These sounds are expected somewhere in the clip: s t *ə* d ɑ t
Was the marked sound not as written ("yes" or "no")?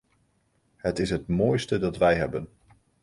no